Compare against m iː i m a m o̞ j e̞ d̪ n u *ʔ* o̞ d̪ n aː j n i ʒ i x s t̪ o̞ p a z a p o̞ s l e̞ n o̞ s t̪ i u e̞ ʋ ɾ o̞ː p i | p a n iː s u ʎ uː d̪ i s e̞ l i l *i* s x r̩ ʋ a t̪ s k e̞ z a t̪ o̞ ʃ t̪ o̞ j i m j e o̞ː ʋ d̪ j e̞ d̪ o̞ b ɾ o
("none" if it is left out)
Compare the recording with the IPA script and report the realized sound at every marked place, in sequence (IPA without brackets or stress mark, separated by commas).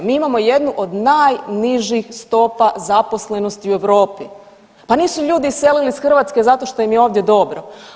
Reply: ʔ, i